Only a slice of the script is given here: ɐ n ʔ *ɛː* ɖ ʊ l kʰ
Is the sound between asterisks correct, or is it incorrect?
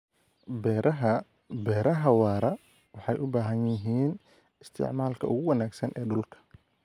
correct